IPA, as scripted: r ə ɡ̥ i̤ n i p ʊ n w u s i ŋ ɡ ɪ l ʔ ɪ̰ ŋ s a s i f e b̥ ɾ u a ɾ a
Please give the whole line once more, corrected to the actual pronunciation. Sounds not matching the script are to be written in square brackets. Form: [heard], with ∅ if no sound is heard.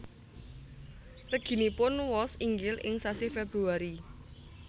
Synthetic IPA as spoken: r ə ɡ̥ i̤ n i p ʊ n w [ɔ] s i ŋ ɡ ɪ l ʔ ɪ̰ ŋ s a s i f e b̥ ɾ u a ɾ [i]